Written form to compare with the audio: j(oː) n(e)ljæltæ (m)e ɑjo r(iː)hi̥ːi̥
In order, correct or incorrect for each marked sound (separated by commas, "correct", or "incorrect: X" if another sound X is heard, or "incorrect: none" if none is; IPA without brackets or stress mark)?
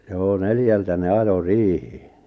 correct, correct, incorrect: n, correct